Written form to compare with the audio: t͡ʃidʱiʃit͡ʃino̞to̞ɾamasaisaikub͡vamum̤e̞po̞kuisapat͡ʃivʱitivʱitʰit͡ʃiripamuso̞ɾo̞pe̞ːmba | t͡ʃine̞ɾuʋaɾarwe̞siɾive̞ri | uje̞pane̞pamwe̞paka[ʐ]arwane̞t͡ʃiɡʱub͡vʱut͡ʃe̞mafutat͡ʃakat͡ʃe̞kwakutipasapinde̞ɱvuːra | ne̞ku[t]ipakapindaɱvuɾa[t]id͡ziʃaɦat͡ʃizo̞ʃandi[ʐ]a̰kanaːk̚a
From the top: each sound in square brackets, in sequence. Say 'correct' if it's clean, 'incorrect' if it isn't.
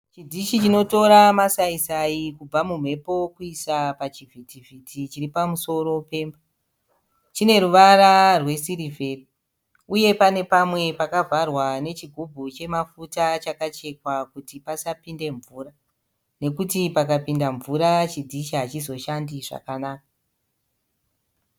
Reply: incorrect, correct, incorrect, correct

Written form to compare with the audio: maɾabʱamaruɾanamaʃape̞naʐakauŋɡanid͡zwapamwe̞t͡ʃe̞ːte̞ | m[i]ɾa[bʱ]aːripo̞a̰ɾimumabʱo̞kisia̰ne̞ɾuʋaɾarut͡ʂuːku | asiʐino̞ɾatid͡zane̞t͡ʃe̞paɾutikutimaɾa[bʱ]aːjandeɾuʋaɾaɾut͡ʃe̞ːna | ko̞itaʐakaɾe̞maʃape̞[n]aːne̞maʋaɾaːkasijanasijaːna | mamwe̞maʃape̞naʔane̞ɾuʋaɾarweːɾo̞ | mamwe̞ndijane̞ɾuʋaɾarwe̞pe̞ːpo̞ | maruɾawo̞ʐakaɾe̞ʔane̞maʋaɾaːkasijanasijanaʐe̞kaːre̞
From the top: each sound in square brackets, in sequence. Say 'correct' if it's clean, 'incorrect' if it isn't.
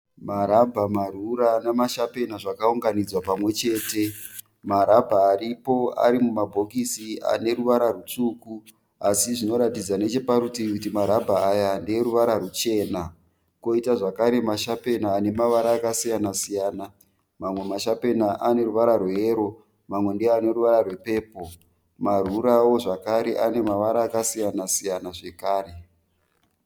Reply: incorrect, correct, correct, correct

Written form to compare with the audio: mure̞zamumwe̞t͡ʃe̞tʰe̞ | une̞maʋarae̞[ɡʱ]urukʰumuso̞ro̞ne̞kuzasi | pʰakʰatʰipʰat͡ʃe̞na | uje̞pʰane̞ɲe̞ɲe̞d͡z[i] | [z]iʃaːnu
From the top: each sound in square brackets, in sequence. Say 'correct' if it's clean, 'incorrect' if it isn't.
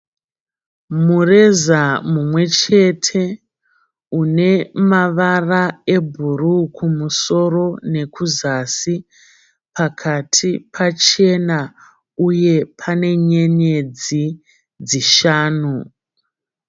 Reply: incorrect, correct, incorrect

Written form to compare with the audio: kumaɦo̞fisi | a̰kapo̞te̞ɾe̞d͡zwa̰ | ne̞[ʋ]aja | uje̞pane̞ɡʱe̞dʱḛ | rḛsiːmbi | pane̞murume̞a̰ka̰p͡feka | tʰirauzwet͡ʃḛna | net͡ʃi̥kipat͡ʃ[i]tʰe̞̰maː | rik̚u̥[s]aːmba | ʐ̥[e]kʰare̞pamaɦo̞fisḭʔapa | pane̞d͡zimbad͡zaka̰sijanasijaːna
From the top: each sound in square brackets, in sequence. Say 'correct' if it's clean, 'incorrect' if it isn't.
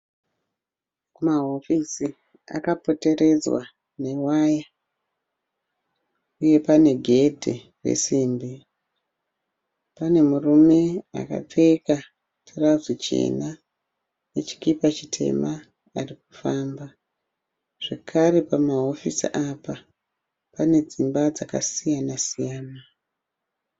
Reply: incorrect, correct, incorrect, correct

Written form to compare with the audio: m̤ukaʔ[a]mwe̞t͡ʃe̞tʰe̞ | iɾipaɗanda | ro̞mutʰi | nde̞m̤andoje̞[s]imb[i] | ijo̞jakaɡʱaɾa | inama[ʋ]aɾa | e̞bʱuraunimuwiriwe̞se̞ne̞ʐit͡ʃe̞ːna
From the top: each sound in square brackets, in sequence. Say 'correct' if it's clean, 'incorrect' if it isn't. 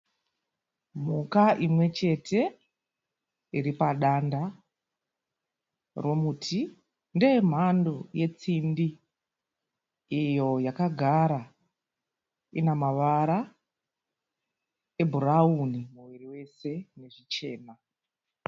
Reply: incorrect, incorrect, correct, correct

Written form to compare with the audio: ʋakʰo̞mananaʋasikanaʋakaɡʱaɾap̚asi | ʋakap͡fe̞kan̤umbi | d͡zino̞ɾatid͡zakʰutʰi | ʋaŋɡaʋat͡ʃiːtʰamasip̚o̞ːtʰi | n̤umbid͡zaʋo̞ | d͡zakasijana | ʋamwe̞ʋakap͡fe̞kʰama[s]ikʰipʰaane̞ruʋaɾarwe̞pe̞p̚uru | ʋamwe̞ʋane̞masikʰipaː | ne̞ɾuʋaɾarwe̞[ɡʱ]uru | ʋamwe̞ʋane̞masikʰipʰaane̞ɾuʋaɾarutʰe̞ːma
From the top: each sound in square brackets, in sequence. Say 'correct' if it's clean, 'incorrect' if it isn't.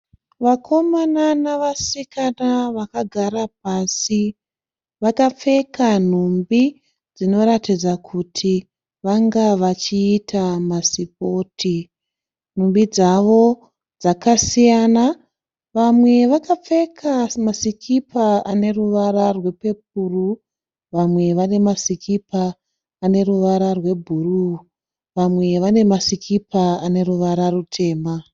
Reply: correct, incorrect

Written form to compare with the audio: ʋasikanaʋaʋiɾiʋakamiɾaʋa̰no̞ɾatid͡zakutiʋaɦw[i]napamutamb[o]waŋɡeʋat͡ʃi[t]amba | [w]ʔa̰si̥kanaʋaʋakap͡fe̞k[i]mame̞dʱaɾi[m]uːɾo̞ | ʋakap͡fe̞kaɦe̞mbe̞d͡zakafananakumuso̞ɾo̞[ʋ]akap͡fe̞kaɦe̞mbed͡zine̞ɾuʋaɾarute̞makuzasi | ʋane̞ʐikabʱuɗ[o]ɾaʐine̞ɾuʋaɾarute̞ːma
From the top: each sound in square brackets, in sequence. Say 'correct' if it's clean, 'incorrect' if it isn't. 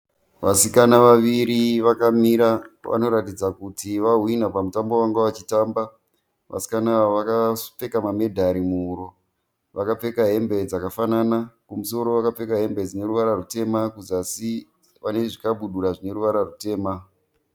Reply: correct, correct, correct, incorrect, incorrect, correct, correct, incorrect

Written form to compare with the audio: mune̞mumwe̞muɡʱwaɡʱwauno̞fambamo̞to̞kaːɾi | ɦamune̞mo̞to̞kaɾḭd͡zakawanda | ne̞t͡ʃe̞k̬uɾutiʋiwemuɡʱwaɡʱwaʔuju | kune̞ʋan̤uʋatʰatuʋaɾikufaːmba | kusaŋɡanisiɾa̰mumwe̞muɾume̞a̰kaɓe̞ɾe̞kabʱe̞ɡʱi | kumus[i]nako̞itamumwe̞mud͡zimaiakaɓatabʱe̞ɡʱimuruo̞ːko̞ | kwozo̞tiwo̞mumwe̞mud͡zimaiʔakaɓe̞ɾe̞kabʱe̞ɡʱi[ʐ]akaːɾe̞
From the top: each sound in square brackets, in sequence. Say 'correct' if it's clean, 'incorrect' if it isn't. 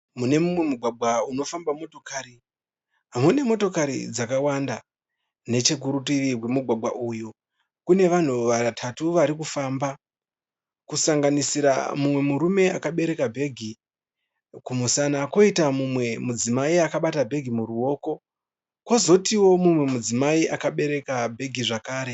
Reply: incorrect, correct

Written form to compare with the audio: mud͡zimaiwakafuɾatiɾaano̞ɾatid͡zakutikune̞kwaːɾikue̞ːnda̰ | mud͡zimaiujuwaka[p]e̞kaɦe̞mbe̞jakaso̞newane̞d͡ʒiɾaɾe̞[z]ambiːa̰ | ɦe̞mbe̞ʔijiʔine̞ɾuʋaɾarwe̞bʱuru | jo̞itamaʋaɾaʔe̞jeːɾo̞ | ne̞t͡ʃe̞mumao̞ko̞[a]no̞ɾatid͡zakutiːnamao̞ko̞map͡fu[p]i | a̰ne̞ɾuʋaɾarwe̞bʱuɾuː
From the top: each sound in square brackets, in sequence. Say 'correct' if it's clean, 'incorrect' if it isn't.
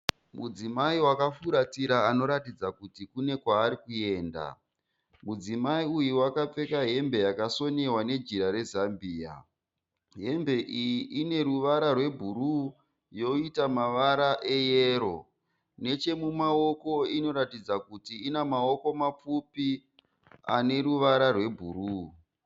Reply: incorrect, correct, incorrect, correct

